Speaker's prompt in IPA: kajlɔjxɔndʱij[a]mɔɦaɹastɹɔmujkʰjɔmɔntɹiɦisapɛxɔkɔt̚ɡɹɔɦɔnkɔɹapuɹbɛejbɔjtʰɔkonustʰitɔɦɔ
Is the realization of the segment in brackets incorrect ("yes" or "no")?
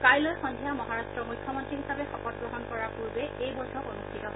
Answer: no